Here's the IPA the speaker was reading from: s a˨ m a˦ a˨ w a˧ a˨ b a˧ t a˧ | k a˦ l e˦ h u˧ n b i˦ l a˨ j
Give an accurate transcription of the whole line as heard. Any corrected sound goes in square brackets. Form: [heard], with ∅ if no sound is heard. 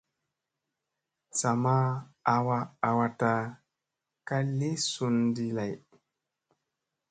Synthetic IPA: s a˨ m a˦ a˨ w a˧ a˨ [w] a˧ t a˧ | k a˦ l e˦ [s] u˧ n [d] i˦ l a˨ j